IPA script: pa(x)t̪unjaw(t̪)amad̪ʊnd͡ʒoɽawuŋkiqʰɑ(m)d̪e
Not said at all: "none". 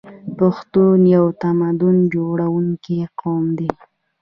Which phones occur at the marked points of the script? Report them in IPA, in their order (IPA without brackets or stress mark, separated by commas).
x, t̪, m